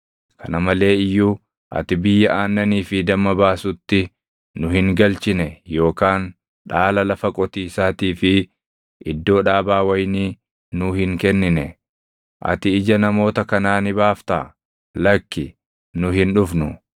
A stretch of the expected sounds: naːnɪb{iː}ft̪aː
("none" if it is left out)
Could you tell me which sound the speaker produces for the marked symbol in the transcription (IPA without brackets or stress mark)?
aː